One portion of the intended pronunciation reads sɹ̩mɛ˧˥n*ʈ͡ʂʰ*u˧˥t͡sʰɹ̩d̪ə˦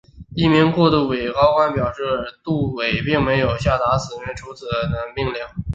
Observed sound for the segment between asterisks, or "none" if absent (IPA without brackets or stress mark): ʈ͡ʂʰ